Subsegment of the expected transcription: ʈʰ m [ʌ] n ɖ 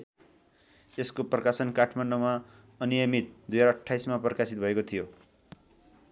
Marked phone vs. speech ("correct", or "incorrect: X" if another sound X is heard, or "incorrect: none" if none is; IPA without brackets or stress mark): incorrect: a